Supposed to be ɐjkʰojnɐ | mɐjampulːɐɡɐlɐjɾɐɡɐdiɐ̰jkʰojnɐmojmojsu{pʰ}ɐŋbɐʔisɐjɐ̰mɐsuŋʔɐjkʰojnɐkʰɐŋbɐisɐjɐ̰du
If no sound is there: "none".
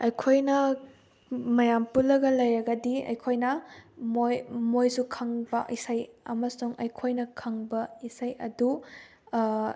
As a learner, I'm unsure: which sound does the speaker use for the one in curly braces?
kʰ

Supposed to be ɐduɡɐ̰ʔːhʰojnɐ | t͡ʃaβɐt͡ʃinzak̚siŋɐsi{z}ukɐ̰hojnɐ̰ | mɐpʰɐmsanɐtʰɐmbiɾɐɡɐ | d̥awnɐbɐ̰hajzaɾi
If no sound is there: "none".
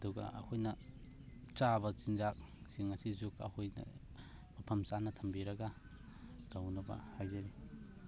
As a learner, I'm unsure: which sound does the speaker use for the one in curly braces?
z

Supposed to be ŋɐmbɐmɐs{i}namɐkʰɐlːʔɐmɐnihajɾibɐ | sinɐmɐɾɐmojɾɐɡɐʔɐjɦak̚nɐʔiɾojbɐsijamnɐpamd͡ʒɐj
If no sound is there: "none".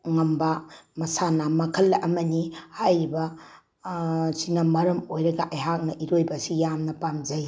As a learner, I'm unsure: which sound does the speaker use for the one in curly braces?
a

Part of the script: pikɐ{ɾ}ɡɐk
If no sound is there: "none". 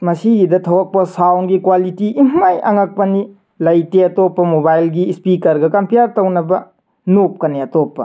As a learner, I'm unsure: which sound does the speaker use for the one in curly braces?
ɾ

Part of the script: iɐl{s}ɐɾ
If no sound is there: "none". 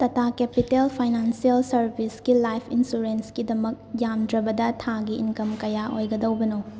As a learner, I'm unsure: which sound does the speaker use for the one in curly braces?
s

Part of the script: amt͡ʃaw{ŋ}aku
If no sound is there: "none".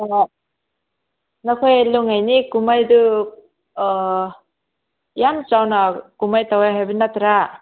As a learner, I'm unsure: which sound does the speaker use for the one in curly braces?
n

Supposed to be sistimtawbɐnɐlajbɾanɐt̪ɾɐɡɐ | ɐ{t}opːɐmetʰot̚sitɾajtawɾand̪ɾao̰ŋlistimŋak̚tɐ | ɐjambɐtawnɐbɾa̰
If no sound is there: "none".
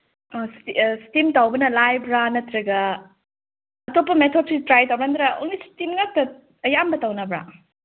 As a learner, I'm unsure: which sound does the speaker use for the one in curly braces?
t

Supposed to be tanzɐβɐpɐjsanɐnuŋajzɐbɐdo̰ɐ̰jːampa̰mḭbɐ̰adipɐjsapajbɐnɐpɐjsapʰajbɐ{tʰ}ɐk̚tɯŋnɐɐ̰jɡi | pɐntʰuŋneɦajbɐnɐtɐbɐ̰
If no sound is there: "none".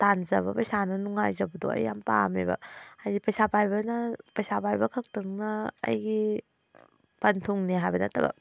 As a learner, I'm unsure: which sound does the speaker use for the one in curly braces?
kʰ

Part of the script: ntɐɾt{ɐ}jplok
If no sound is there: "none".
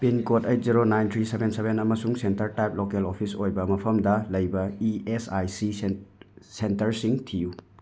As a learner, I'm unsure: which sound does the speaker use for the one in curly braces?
a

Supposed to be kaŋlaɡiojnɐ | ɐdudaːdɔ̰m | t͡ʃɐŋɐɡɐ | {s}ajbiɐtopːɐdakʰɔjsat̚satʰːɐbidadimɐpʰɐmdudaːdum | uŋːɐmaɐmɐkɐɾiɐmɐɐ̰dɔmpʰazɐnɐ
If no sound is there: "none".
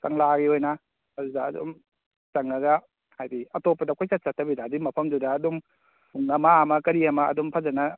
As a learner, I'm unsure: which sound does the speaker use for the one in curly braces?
h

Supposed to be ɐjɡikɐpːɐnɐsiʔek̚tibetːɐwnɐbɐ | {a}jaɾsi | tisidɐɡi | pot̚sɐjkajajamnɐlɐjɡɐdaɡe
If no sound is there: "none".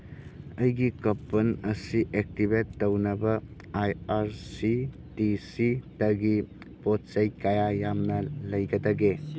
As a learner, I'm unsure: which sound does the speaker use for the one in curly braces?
a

